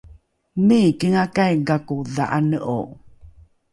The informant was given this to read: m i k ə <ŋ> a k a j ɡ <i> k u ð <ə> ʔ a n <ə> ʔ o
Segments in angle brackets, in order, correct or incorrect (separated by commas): correct, incorrect, incorrect, correct